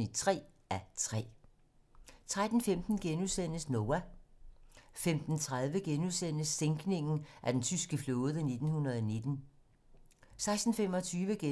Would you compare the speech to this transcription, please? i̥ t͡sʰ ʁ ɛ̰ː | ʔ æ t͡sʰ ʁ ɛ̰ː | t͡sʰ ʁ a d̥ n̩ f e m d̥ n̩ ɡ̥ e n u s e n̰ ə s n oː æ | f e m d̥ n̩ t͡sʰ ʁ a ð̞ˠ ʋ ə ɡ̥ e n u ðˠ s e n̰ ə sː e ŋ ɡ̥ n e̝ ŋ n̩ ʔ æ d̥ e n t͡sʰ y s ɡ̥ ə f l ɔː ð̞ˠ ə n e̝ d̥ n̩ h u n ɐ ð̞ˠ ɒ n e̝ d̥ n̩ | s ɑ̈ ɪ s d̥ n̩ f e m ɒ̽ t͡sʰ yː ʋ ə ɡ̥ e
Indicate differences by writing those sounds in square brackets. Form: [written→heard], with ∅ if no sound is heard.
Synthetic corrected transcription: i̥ t͡sʰ ʁ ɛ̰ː | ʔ æ t͡sʰ ʁ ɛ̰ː | t͡sʰ ʁ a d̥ n̩ f e m d̥ n̩ ɡ̥ e n u s e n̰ ə s n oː æ | f e m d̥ n̩ t͡sʰ ʁ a ð̞ˠ ʋ ə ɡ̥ e n u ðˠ s e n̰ ə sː e ŋ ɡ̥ n e̝ ŋ n̩ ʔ æ d̥ e n t͡sʰ y s ɡ̥ ə f l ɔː ð̞ˠ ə n e̝ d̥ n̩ h u n ɐ ð̞ˠ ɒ n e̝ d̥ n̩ | s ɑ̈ ɪ s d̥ n̩ f e m ɒ̽ t͡sʰ yː ʋ ə ɡ̥ e